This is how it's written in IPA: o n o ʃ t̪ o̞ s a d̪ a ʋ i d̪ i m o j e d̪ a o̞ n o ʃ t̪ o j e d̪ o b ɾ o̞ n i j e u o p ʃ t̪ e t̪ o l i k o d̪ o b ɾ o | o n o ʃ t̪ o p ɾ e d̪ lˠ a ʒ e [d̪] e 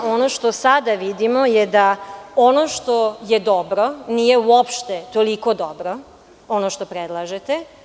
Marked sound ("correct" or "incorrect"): incorrect